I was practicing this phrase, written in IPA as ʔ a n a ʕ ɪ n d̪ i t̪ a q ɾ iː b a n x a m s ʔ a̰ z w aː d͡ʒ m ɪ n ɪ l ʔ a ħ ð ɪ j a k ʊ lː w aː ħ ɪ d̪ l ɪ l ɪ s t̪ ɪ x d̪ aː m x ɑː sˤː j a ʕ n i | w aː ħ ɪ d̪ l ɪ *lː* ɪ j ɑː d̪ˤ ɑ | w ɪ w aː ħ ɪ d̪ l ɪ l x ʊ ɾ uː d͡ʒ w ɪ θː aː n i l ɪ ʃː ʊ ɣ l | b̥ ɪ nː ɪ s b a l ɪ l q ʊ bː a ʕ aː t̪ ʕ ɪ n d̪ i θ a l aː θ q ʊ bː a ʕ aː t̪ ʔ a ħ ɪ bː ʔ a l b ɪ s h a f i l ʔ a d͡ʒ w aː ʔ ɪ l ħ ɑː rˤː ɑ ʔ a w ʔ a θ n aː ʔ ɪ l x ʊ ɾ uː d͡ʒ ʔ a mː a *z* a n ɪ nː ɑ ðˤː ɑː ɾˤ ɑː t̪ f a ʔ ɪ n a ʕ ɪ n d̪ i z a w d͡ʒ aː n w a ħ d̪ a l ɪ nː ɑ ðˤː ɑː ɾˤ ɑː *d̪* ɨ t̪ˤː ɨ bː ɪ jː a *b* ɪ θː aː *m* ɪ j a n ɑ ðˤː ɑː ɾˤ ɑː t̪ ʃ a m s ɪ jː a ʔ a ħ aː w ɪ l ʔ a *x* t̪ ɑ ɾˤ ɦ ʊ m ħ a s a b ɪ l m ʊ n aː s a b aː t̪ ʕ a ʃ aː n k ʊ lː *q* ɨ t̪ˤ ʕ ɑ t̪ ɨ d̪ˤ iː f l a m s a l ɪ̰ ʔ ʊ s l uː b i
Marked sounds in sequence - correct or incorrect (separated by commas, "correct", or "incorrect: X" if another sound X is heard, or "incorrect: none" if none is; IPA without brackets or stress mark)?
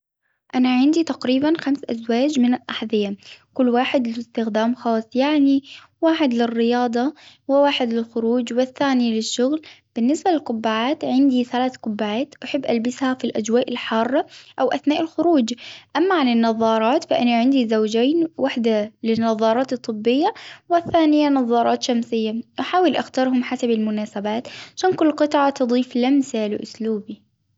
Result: incorrect: rː, incorrect: ʕ, incorrect: t̪, incorrect: w, incorrect: n, correct, correct